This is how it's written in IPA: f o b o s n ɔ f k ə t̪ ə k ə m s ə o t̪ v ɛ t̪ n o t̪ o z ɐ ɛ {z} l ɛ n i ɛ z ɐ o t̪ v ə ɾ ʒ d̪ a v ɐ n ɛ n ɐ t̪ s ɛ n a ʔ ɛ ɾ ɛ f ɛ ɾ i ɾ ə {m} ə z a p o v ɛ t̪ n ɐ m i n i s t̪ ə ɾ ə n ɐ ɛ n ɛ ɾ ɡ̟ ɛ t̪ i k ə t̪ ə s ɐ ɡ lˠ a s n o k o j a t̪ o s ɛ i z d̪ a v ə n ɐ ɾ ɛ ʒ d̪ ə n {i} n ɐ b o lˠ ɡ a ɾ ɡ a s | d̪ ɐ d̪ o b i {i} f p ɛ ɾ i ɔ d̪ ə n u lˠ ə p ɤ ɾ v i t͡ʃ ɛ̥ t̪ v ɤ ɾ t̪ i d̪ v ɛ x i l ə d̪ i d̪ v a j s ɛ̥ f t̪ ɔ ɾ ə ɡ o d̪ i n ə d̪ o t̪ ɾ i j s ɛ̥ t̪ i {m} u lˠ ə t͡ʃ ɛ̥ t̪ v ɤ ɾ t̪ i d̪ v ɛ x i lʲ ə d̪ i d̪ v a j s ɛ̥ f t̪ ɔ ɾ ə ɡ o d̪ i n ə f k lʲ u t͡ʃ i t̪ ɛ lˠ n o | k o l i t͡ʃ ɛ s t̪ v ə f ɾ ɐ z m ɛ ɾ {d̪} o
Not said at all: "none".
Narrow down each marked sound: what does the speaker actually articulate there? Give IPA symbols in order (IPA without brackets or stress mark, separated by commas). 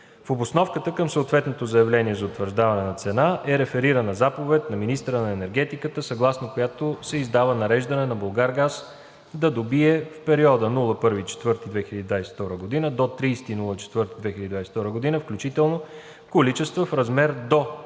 v, n, ɛ, ɛ, n, d̪